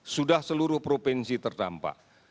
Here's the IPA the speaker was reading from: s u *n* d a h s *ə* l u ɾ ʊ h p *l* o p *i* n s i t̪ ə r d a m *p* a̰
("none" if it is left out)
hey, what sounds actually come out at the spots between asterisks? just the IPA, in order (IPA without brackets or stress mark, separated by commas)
none, ə, ɾ, ɛ, p